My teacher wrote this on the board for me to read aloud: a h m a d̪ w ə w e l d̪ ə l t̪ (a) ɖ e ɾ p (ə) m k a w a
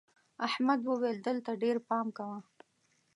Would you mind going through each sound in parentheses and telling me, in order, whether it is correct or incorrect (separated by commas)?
correct, incorrect